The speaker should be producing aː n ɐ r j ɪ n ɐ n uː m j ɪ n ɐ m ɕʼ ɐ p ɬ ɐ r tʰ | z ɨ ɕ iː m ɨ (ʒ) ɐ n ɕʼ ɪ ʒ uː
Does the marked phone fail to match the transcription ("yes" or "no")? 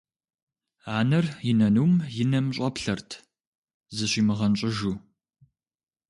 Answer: yes